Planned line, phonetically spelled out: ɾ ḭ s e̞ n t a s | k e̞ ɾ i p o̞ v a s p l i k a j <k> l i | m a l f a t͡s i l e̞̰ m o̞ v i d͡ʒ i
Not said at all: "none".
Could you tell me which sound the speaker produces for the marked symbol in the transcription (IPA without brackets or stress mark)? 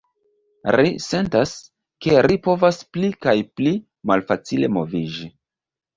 p